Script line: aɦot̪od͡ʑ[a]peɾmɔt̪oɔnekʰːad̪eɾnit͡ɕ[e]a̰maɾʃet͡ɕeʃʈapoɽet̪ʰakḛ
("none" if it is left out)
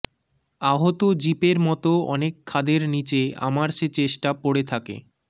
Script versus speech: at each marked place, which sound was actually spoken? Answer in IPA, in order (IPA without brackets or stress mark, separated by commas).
i, e